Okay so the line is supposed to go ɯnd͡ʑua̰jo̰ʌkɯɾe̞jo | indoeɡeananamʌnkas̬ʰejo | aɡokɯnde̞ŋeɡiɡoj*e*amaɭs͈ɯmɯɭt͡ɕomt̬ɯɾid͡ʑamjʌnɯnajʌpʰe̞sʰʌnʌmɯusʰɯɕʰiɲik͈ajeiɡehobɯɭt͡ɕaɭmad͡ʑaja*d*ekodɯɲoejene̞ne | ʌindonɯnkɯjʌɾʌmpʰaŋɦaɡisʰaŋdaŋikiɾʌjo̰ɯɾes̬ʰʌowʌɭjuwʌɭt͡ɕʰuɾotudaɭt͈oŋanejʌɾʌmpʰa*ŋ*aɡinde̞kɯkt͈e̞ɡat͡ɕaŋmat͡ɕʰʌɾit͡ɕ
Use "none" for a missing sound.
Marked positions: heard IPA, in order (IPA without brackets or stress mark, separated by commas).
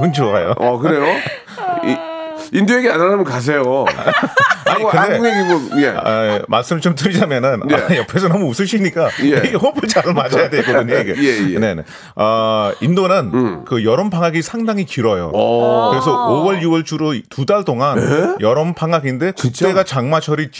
e, d, ŋ